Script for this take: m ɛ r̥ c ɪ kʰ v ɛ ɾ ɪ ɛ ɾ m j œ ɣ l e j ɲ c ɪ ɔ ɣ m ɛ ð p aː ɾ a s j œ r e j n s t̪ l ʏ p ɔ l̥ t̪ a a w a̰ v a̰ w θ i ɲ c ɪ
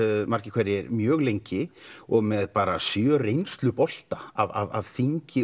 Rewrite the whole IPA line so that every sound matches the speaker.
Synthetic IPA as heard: m a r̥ c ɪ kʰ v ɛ ɾ ɪ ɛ ɾ m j œː ɣ l e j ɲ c ɪ ɔ ɣ m ɛ ð p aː ɾ a s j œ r e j n s t̪ l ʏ p ɔ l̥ t̪ a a v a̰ v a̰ v θ i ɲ c ɪ